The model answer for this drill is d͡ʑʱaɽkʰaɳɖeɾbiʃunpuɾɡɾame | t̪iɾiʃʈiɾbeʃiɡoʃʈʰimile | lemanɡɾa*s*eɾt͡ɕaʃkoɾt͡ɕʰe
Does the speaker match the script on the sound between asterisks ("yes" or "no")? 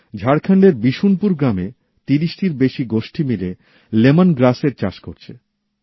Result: yes